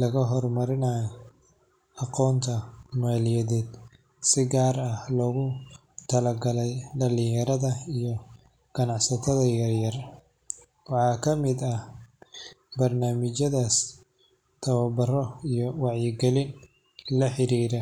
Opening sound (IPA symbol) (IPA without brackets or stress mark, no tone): l